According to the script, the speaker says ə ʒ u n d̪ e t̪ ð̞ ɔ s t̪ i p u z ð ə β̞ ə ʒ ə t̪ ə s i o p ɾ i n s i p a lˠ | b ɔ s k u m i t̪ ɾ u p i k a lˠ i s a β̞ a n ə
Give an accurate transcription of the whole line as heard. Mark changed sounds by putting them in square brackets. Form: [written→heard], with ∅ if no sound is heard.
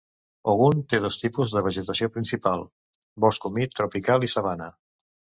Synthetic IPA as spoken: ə [ʒ→ɣ] u n [d̪→t̪] e [t̪→∅] ð̞ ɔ s t̪ i p u z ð ə β̞ ə ʒ ə t̪ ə s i o p ɾ i n s i p a lˠ | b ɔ s k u m i t̪ ɾ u p i k a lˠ i s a β̞ a n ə